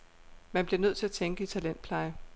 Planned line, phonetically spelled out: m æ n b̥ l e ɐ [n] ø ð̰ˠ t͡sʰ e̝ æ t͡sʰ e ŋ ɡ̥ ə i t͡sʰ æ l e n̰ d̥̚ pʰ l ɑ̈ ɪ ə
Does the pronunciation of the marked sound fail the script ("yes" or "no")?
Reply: no